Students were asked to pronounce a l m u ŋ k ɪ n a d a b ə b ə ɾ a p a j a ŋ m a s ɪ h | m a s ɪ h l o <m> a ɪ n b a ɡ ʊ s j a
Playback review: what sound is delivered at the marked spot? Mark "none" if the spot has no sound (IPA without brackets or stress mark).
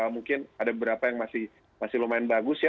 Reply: m